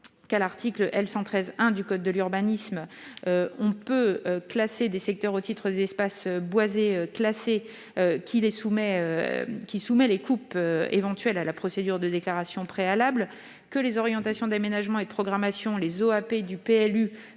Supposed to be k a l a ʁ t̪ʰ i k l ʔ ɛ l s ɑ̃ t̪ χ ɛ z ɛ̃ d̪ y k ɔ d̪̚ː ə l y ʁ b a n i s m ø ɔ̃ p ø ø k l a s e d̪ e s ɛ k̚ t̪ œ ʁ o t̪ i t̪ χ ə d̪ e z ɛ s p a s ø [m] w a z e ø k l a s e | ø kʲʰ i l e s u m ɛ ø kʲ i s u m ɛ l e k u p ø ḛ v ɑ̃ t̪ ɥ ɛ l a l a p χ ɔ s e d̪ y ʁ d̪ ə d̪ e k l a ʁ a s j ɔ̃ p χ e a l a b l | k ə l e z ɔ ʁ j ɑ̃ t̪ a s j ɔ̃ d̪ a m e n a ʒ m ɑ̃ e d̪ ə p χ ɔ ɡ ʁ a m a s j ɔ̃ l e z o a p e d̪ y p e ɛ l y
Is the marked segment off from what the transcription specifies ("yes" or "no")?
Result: yes